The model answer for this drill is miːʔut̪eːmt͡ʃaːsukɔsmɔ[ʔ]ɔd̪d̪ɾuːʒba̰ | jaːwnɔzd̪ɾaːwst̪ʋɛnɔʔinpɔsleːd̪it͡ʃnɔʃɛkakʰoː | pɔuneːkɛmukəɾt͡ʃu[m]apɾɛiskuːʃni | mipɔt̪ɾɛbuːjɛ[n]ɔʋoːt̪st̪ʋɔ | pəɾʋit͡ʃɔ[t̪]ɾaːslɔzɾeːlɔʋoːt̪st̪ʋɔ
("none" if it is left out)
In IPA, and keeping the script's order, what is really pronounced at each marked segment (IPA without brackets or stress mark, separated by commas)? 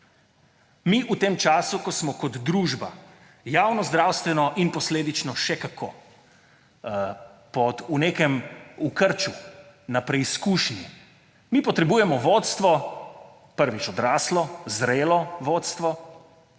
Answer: k, n, m, d̪